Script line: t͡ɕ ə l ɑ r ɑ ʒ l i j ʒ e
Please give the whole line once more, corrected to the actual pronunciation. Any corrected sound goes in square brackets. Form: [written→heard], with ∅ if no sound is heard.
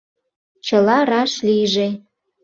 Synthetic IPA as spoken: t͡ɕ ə l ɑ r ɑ [ʒ→ʃ] l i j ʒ e